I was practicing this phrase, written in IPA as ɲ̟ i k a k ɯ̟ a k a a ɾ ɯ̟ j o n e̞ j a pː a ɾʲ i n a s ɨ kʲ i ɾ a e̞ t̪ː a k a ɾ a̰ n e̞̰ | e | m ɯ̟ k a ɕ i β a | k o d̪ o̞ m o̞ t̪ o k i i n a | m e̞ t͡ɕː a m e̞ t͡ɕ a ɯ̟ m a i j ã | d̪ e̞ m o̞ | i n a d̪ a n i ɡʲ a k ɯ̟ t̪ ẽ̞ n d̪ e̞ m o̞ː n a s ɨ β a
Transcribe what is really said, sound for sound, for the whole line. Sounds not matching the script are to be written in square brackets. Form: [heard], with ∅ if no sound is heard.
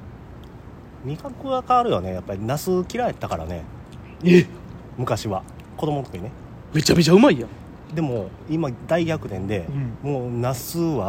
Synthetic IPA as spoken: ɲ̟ i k a k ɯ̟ a k a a ɾ ɯ̟ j o n e̞ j a pː a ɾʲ i n a s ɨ kʲ i ɾ a e̞ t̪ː a k a ɾ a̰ n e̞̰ | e | m ɯ̟ k a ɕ i β a | k o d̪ o̞ m o̞ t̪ o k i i n [e] | m e̞ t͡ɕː a m e̞ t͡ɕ a ɯ̟ m a i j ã | d̪ e̞ m o̞ | i [m] a d̪ a [∅] i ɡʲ a k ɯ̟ t̪ ẽ̞ n d̪ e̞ m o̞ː n a s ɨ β a